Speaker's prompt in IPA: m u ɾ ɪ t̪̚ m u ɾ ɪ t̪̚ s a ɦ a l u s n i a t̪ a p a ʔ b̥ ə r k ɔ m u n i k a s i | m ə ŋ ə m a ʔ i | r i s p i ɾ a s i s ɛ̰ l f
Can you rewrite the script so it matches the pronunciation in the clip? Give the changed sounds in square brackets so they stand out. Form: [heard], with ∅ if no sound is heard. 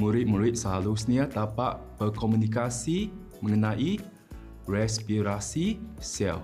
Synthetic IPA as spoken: m u ɾ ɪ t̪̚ m u ɾ ɪ t̪̚ s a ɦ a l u s n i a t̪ a p a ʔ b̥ ə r k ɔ m u n i k a s i | m ə ŋ ə [n] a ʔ i | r [ɛ] s p i ɾ a s i s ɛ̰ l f